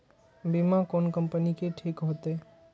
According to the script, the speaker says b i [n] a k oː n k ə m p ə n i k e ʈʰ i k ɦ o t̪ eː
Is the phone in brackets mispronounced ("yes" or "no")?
yes